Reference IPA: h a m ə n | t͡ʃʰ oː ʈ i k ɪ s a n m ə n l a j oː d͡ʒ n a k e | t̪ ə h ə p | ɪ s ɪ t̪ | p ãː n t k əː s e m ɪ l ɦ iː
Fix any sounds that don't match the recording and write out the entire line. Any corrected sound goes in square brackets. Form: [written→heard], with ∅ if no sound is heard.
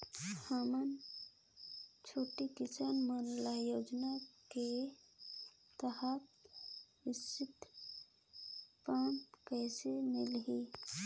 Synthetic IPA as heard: h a m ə n | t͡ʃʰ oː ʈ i k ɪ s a n m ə n l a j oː d͡ʒ n a k e | t̪ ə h ə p | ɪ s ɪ t̪ | p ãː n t k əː s e m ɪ l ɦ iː